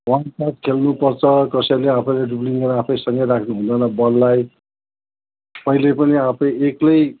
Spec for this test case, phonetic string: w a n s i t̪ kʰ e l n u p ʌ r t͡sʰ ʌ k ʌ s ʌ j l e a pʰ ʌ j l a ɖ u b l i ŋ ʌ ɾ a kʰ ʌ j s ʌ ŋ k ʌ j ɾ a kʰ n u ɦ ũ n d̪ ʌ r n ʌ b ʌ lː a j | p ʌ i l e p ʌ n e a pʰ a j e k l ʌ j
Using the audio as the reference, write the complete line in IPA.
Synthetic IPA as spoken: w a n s a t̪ kʰ e l n u p ʌ r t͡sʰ ʌ k ʌ s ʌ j l e a pʰ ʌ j l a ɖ u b l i ŋ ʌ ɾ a pʰ ʌ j s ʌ ŋ ɡ ʌ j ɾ a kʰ n u ɦ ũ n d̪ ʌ n ʌ b ʌ lː a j | p ʌ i l e p ʌ n i a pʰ ʌ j e k l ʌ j

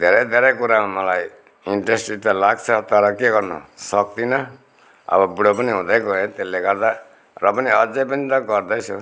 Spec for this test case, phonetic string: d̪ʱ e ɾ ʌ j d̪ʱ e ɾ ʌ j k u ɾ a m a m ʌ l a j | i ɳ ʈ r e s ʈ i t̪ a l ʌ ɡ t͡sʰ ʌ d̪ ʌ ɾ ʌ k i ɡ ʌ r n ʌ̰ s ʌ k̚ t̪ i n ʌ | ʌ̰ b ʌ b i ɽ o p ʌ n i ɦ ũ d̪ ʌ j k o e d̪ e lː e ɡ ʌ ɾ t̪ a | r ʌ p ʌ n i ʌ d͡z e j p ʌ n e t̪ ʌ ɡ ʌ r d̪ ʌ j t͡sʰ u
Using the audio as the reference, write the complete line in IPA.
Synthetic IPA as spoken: d̪ʱ e ɾ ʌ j d̪ʱ e ɾ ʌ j k u ɾ a m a m ʌ l a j | i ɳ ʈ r e s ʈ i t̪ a l a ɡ t͡sʰ ʌ t̪ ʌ ɾ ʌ k e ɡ ʌ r n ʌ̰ s ʌ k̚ t̪ i n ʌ | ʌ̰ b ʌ b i ɽ o p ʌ n i ɦ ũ d̪ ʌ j k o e t̪ e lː e ɡ ʌ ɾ d̪ a | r ʌ p ʌ n i ʌ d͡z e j p ʌ n i t̪ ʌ ɡ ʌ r d̪ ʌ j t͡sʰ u

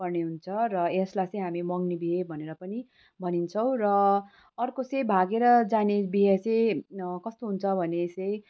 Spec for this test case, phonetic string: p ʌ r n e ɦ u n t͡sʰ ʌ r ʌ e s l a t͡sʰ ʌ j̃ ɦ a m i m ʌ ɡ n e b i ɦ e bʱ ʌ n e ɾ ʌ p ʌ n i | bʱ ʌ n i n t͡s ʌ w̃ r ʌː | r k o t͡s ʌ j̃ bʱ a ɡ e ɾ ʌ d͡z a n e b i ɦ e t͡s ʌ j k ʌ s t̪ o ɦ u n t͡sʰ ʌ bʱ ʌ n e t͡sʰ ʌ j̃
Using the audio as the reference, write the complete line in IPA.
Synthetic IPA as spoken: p ʌ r n e ɦ u n t͡sʰ ʌ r ʌ e s l a t͡s ʌ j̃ ɦ a m i m ʌ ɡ n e b i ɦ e bʱ ʌ n e ɾ ʌ p ʌ n i | bʱ ʌ n i n t͡sʰ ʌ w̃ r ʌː | r k o t͡s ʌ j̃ bʱ a ɡ e ɾ ʌ d͡z a n e b i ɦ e t͡s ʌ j k ʌ s t̪ o ɦ u n t͡sʰ ʌ bʱ ʌ n e t͡s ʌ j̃

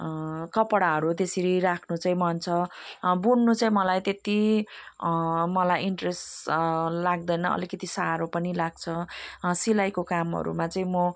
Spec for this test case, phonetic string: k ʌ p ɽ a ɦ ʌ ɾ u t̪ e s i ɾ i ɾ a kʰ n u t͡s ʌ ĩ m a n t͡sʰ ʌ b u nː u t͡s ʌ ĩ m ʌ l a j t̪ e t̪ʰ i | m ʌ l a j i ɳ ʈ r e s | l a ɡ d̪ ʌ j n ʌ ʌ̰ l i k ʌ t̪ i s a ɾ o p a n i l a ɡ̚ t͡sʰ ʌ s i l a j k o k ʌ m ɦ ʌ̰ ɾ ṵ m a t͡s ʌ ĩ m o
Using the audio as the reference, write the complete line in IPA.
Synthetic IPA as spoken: k ʌ p ɽ a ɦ ʌ ɾ u t̪ e s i ɾ i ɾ a kʰ n u t͡s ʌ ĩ m ʌ n t͡sʰ ʌ b u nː u t͡s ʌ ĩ m ʌ l a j t̪ e t̪ i | m ʌ l a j i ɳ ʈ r e s | l a ɡ d̪ ʌ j n ʌ ʌ̰ l i k ʌ t̪ i s a ɾ o p ʌ n i l a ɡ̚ t͡sʰ ʌ s i l a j k o k a m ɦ ʌ̰ ɾ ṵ m a t͡s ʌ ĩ m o

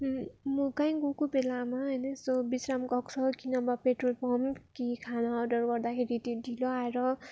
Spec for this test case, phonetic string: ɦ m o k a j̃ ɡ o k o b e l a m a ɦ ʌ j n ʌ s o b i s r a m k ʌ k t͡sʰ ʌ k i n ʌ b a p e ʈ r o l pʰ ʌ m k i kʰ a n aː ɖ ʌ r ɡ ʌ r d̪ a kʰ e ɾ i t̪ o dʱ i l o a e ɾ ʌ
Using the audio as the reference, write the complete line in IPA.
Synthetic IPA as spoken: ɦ m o k a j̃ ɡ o k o b e l a m a ɦ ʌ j n ʌ s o b i s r a m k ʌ k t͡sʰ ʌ k i n ʌ b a p e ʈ r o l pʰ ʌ m k i kʰ a n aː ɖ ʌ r ɡ ʌ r d̪ a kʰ e ɾ i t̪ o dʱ i l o a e ɾ ʌ

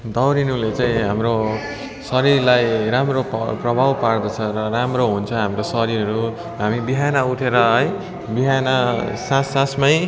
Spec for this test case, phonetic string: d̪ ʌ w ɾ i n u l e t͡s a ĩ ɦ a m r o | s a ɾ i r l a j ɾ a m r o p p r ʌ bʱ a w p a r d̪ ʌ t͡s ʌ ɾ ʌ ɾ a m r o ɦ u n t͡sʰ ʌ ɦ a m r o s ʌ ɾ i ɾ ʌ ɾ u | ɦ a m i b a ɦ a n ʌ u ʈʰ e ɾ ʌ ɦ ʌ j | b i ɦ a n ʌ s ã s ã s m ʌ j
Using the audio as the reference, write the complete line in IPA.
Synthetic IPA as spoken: d̪ ʌ w ɾ i n u l e t͡s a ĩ ɦ a m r o | s ʌ ɾ i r l a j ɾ a m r o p p r ʌ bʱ a w p a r d̪ ʌ t͡sʰ ʌ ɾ ʌ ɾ a m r o ɦ u n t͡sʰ ʌ ɦ a m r o s ʌ ɾ i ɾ ʌ ɾ u | ɦ a m i b i ɦ a n ʌ u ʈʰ e ɾ ʌ ɦ ʌ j | b i ɦ a n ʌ s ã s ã s m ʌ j

